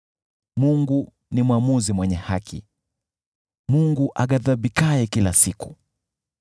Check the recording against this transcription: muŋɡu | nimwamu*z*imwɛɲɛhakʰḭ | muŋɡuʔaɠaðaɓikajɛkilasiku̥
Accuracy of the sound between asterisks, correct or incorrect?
correct